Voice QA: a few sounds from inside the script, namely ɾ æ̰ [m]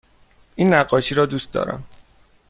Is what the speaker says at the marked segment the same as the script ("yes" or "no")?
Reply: yes